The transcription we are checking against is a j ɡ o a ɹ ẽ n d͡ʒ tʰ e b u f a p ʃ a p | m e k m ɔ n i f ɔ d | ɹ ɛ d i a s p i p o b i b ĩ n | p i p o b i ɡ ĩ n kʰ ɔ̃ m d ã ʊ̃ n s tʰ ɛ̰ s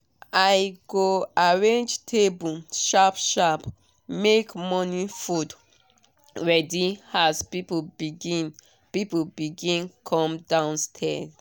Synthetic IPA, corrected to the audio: a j ɡ o a ɹ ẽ n d͡ʒ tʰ e b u ʃ a p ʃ a p | m e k m ɔ n i f u d | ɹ ɛ d i a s p i p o b i ɡ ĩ n | p i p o b i ɡ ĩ n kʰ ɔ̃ m d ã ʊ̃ n s tʰ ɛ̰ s